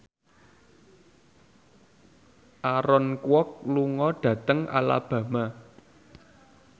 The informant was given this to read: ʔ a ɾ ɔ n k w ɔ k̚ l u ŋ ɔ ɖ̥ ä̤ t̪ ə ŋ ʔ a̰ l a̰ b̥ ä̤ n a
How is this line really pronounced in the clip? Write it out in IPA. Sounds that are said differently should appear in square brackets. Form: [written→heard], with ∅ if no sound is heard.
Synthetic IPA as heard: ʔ a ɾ ɔ n k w ɔ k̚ l u ŋ ɔ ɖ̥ ä̤ t̪ ə ŋ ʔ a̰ l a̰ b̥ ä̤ [n→m] a